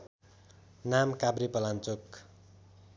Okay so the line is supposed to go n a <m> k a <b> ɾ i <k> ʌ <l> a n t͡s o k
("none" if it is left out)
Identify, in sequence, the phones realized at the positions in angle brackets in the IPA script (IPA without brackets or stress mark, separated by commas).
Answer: m, b, p, l